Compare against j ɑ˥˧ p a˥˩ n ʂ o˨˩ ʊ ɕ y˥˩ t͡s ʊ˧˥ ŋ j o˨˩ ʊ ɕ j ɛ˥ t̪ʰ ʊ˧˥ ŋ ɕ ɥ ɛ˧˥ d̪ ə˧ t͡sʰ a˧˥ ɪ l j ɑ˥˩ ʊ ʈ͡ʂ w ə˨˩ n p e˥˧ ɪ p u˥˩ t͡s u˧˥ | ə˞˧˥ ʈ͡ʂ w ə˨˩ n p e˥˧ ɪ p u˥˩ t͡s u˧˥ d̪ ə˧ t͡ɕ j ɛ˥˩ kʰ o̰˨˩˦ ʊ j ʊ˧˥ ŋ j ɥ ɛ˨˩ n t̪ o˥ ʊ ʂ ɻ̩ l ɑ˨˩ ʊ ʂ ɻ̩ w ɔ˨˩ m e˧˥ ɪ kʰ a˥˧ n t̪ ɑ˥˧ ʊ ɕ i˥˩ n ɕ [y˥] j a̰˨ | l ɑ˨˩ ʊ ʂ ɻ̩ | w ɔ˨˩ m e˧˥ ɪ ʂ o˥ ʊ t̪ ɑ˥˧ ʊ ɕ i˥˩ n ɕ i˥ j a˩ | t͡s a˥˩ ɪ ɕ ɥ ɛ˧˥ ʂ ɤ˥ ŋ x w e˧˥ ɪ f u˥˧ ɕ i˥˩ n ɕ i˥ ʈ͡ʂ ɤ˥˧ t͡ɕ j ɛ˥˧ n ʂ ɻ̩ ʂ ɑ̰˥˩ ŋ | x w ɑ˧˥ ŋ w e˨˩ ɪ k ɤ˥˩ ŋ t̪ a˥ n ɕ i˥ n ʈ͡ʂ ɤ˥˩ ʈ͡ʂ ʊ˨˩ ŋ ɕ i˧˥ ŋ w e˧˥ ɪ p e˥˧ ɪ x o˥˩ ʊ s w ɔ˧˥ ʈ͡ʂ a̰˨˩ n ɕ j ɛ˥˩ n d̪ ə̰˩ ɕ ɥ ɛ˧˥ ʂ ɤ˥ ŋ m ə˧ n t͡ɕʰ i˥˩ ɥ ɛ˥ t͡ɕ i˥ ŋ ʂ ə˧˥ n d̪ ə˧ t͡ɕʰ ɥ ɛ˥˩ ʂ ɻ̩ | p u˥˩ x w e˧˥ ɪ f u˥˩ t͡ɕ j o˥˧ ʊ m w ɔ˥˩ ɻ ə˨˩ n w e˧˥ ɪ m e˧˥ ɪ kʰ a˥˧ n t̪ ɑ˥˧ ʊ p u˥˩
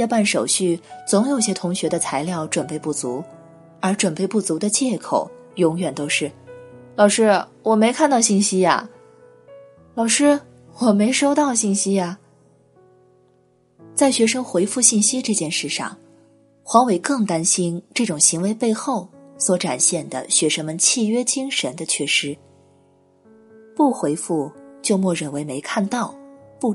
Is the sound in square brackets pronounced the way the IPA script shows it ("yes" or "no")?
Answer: no